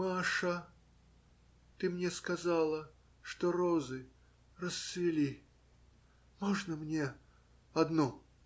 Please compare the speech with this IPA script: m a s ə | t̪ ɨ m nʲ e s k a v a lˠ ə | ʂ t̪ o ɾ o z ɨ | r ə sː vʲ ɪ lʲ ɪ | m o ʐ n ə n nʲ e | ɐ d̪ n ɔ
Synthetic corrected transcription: m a ʂ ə | t̪ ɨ m nʲ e s k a z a lˠ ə | ʂ t̪ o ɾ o z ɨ | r ə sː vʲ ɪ lʲ i | m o ʐ n ə m nʲ e | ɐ d̪ n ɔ